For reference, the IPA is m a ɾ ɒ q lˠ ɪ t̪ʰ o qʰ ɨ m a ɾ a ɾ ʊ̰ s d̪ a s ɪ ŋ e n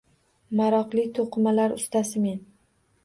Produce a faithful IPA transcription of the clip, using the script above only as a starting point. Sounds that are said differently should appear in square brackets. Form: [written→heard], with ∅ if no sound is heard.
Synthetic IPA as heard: m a ɾ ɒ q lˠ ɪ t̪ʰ o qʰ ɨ m a [ɾ→l] a ɾ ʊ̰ s [d̪→t̪] a s ɪ [ŋ→m] e n